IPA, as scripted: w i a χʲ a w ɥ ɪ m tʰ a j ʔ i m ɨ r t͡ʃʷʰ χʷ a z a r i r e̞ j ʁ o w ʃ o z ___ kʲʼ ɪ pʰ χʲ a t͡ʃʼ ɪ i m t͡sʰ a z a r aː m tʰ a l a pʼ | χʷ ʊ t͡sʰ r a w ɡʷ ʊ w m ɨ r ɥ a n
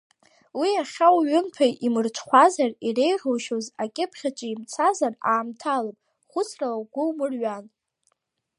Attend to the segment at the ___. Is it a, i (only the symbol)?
a